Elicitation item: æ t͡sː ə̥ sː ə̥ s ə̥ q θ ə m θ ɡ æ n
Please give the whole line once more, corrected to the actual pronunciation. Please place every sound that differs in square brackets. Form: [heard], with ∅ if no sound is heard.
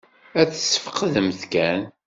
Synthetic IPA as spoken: æ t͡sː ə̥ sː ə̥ [f] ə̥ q [ð] ə m θ [k] æ n